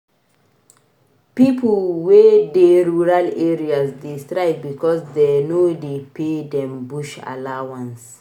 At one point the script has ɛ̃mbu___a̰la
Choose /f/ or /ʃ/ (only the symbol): ʃ